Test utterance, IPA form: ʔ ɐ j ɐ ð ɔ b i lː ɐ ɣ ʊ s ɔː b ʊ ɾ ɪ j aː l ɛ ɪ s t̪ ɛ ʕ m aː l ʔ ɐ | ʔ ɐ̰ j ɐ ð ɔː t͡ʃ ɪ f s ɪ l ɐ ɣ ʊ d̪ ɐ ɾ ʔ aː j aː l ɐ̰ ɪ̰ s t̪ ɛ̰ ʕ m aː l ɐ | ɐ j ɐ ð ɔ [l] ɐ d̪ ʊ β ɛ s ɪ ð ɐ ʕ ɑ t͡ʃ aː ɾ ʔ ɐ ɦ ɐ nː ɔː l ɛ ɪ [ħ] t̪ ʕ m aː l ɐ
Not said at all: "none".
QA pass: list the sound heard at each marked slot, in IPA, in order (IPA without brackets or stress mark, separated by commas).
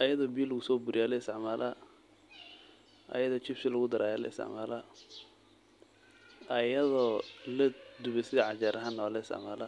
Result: l, s